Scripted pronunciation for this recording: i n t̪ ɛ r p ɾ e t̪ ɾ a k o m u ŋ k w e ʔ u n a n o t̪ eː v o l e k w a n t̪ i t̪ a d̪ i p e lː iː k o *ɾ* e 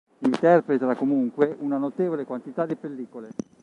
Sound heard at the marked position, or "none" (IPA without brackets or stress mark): l